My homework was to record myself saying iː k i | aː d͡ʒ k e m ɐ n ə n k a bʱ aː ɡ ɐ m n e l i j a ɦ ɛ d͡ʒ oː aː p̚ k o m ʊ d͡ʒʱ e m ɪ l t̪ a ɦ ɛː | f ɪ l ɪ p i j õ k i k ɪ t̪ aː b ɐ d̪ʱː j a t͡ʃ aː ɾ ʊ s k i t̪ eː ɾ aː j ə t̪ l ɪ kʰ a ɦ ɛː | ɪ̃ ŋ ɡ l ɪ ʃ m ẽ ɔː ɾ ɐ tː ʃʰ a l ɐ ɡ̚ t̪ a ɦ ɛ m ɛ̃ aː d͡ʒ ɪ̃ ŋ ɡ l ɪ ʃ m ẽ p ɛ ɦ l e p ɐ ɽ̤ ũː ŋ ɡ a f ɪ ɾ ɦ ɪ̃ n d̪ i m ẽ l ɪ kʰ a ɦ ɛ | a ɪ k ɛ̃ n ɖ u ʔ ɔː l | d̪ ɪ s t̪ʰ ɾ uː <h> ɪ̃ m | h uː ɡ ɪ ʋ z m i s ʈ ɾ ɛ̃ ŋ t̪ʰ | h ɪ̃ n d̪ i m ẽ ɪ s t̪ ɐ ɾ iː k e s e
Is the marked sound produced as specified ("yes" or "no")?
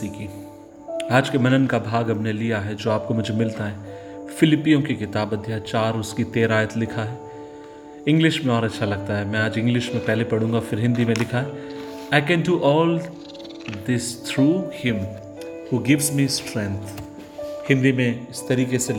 yes